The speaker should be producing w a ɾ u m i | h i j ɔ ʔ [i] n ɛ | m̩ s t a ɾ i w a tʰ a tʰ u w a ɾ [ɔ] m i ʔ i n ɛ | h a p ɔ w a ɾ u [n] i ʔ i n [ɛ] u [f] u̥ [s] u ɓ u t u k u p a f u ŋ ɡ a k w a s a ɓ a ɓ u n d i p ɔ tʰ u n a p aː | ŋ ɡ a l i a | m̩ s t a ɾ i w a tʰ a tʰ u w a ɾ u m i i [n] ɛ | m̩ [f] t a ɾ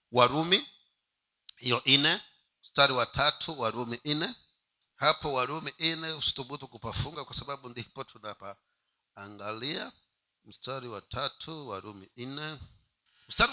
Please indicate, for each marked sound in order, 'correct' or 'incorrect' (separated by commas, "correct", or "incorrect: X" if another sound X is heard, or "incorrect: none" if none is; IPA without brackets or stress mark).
correct, incorrect: u, incorrect: m, correct, incorrect: s, incorrect: t, correct, incorrect: s